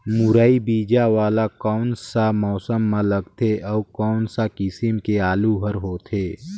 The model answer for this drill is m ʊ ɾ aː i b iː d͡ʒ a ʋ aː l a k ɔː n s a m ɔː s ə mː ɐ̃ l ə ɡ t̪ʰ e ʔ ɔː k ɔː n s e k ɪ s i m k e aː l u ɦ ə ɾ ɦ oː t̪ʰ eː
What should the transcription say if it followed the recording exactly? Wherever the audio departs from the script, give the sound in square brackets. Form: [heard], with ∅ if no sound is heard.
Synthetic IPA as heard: m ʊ ɾ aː i b iː d͡ʒ a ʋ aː l a k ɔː n s a m ɔː s ə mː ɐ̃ l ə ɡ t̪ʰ e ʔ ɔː k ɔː n s [a] k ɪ s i m k e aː l u ɦ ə ɾ ɦ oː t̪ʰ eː